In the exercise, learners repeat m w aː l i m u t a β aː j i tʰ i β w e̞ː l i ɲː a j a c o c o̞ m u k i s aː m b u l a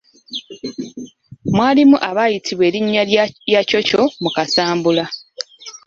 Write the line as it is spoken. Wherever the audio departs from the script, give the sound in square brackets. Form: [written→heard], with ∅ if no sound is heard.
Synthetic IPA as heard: m w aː l i m u [t→ʔ] a β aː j i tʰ i β w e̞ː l i ɲː a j a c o c o̞ m u k [i→a] s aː m b u l a